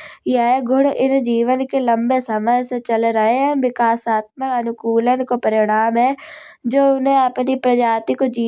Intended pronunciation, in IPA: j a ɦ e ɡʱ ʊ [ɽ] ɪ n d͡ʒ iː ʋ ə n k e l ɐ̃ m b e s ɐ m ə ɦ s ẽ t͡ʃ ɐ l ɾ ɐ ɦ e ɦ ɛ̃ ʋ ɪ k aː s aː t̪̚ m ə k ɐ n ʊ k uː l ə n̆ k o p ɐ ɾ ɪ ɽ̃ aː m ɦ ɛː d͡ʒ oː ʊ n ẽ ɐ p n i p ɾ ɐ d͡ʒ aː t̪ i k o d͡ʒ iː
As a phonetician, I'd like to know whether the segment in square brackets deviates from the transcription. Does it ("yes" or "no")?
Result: no